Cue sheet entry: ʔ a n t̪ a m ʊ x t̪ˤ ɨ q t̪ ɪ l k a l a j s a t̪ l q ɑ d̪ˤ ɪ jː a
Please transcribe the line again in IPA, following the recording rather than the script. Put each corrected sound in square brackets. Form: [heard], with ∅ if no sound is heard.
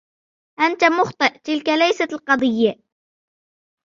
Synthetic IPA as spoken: ʔ a n t̪ a m ʊ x t̪ˤ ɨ [ʔ] t̪ ɪ l k a l a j s a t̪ l q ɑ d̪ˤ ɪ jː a